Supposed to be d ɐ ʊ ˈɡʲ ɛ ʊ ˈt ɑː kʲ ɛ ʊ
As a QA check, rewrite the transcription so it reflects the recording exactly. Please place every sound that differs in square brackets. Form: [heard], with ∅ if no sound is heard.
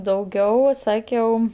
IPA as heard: d ɐ ʊ ˈɡʲ ɛ ʊ [ˈs] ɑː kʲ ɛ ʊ